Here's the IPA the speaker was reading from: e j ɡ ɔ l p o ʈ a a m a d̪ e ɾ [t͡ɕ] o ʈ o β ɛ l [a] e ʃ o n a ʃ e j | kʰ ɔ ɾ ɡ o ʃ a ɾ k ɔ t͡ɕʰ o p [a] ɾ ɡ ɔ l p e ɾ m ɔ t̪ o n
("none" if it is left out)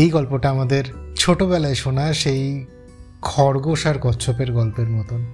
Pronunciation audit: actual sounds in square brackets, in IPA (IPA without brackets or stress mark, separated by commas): t͡ɕʰ, a, e